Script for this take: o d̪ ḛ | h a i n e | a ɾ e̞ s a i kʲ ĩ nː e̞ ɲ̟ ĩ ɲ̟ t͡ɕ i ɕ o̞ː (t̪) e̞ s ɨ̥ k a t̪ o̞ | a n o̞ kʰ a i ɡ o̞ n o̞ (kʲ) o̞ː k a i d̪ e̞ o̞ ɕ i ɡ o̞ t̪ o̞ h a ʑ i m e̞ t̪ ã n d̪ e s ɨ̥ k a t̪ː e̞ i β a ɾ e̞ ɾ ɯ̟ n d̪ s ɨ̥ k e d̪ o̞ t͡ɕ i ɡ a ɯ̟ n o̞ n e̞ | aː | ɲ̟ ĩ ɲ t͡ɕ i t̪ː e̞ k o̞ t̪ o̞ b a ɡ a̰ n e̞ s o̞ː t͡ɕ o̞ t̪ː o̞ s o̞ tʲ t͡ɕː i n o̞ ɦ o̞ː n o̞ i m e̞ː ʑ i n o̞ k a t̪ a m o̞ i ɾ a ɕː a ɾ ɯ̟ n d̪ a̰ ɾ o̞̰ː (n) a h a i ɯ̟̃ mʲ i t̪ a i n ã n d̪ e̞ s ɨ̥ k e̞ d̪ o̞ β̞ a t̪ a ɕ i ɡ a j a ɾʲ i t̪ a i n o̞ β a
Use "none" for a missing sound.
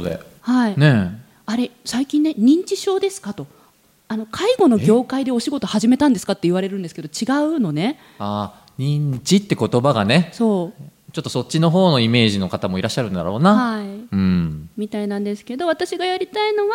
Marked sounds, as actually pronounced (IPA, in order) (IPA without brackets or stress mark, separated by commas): d̪, ɡʲ, n